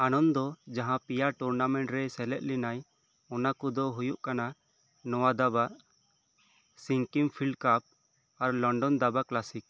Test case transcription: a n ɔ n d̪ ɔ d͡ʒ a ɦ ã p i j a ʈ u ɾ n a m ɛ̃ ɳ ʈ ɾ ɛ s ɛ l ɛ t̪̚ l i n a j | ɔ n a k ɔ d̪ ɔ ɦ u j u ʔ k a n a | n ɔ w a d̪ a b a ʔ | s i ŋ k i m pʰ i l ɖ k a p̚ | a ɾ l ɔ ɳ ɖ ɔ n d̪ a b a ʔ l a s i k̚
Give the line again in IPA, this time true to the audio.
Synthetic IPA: a n ɔ n d̪ ɔ d͡ʒ a ɦ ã p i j a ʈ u ɾ n a m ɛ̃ ɳ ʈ ɾ ɛ s ɛ l ɛ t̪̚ l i n a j | ɔ n a k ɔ d̪ ɔ ɦ u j u ʔ k a n a | n ɔ w a d̪ a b a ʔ | s i ŋ k i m pʰ i l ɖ k a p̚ | a ɾ l ɔ ɳ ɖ ɔ n d̪ a b a k l a s i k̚